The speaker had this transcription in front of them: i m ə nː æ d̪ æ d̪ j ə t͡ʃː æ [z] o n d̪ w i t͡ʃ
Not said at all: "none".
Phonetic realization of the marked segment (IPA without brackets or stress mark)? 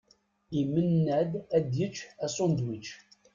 s